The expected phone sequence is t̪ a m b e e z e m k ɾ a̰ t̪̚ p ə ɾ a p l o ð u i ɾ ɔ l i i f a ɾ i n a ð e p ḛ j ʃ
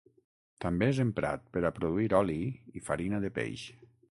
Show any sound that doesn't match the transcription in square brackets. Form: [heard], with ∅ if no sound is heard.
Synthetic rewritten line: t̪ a m b e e z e m [p] ɾ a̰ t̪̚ p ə ɾ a p [ɾ] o ð u i ɾ ɔ l i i f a ɾ i n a ð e p ḛ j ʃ